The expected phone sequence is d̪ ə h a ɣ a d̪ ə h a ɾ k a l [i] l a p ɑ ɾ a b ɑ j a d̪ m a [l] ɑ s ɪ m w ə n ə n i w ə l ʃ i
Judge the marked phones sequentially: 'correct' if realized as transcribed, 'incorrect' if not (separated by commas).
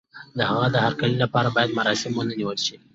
correct, incorrect